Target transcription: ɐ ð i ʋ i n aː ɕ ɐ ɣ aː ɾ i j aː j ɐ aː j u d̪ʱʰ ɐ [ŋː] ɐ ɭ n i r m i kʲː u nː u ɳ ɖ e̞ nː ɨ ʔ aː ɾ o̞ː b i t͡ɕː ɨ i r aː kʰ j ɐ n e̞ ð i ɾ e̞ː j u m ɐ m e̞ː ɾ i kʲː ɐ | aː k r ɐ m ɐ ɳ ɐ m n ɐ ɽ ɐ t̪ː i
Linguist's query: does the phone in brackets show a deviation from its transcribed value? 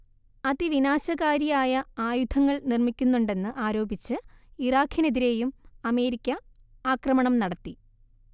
no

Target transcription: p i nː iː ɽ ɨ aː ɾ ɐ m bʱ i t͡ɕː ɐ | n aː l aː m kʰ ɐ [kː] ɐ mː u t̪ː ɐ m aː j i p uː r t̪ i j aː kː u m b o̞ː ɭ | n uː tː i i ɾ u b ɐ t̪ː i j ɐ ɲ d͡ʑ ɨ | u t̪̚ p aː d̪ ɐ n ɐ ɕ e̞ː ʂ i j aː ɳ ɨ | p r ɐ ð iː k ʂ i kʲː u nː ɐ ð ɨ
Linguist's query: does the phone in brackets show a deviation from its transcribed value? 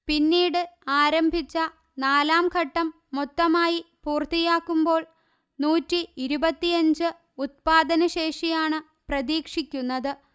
yes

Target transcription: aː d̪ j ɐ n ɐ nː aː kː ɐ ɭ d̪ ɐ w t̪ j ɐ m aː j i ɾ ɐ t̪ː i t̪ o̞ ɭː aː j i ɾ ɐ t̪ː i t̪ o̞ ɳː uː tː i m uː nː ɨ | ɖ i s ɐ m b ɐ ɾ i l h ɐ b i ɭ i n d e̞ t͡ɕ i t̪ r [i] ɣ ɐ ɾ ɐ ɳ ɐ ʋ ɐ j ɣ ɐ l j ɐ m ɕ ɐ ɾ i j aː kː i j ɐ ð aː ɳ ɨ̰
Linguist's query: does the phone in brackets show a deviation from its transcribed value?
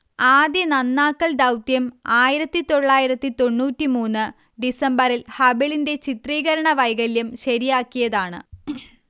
yes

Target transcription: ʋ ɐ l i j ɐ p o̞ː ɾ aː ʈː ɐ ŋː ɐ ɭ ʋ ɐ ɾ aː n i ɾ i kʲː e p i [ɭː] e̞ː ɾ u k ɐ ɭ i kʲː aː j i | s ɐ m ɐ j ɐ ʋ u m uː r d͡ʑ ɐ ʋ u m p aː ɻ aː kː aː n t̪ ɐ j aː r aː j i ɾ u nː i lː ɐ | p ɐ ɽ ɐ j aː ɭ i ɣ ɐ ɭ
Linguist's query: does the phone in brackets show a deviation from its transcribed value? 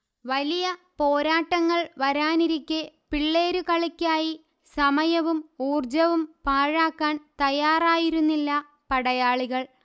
no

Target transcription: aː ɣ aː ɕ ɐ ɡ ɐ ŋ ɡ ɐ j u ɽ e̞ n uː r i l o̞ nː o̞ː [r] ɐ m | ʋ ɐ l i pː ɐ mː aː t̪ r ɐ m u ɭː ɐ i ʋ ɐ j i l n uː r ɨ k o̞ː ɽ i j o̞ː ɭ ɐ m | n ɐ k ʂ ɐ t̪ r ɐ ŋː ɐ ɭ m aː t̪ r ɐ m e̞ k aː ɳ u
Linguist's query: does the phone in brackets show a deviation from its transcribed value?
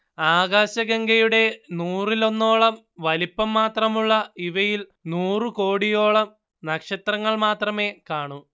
yes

